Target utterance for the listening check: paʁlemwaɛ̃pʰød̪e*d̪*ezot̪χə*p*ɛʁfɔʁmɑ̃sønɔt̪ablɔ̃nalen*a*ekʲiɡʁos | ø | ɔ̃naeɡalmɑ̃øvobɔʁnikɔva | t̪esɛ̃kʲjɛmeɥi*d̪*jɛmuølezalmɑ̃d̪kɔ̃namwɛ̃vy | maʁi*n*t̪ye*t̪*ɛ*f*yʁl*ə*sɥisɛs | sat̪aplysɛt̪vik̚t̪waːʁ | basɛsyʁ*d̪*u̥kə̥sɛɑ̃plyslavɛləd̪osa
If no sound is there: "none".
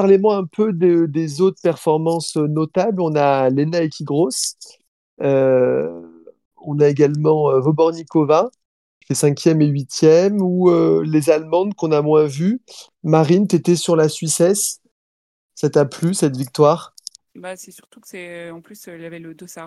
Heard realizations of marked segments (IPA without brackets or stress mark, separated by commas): d̪, p, a, t̪, n, t̪, s, a, t̪